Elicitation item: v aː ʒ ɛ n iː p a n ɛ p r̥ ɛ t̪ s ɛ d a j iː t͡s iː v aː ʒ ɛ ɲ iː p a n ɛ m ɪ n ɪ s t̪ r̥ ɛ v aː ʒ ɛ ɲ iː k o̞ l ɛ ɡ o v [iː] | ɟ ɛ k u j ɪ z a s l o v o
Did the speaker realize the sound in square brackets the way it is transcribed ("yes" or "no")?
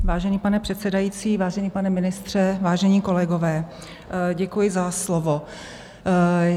no